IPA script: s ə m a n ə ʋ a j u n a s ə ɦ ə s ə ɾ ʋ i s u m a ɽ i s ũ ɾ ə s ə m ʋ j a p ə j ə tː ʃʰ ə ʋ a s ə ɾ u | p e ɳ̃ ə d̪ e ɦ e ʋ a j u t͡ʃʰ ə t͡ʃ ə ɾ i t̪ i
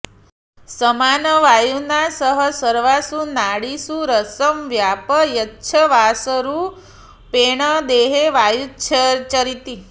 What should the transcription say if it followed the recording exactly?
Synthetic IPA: s ə m a n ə ʋ a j u n a s ə ɦ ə s ə ɾ ʋ a s u n a ɽ i s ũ ɾ ə s ə m ʋ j a p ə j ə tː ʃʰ ə ʋ a s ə ɾ u | p e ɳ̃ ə d̪ e ɦ e ʋ a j u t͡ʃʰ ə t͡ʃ ə ɾ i t̪ i